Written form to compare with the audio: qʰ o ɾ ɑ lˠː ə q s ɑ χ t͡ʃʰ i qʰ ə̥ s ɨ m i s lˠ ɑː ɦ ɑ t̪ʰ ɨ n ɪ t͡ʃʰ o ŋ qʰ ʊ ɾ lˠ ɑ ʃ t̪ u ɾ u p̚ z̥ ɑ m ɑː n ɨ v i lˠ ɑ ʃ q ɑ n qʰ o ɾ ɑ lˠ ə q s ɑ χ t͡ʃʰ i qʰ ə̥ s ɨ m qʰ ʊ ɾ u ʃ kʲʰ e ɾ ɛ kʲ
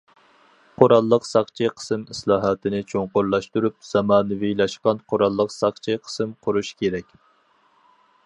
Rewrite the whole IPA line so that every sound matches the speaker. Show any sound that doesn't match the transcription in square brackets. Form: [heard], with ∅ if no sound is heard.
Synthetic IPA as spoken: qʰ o ɾ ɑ lˠː ə q s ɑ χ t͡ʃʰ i qʰ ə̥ s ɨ m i s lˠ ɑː ɦ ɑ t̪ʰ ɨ n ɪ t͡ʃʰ o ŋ [q] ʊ ɾ lˠ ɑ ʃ t̪ u ɾ u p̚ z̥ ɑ m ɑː n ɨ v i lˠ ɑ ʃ q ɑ n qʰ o ɾ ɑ [lˠː] ə q s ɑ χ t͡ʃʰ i qʰ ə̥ s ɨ m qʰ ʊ ɾ u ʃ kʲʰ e ɾ ɛ kʲ